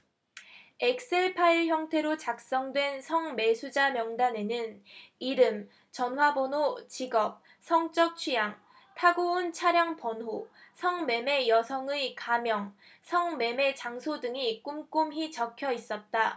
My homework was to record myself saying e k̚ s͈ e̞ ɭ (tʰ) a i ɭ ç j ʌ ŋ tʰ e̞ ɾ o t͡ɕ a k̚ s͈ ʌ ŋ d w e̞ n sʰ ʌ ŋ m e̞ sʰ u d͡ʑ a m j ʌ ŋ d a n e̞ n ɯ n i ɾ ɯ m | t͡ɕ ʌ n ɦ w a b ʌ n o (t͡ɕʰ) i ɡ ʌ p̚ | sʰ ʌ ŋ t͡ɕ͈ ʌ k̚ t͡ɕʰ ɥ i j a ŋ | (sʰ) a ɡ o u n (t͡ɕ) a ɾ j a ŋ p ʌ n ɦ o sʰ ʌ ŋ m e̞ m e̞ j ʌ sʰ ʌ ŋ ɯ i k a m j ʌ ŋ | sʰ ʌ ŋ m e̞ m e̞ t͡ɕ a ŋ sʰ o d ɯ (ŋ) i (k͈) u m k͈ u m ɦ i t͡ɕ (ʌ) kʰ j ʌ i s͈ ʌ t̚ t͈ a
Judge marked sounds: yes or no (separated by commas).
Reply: no, no, no, no, yes, yes, yes